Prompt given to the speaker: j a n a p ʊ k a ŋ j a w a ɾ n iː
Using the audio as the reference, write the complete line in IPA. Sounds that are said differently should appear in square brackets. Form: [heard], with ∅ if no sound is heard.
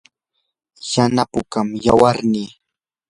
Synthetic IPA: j a n a p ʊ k a [m] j a w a ɾ n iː